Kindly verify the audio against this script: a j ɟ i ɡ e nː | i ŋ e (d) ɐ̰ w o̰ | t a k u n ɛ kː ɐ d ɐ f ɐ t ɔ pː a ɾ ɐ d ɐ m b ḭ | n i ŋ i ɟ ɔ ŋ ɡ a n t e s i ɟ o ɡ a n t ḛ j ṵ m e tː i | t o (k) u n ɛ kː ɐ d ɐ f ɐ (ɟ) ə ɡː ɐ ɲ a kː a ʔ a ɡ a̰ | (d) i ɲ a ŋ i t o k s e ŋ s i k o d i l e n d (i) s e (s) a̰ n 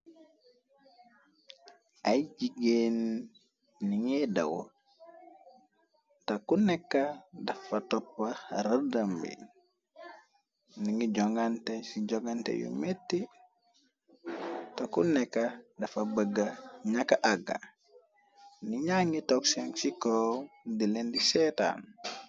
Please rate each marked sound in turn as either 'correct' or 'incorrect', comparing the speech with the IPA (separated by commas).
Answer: correct, correct, incorrect, incorrect, correct, incorrect